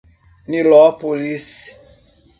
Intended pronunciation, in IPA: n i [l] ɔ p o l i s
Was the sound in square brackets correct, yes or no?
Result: yes